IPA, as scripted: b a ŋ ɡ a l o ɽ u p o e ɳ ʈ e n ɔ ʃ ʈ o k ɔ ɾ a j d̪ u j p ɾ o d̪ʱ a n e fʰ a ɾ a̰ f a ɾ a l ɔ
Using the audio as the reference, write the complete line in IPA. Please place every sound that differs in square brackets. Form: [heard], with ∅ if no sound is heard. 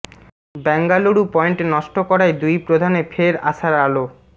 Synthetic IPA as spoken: b [ɛ] ŋ ɡ a l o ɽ u p [ɔ] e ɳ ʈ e n ɔ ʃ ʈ o k ɔ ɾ a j d̪ u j p ɾ o d̪ʱ a n e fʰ [e] ɾ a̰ [ʃ] a ɾ a l [o]